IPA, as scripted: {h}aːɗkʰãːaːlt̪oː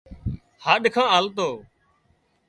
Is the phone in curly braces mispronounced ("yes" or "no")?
no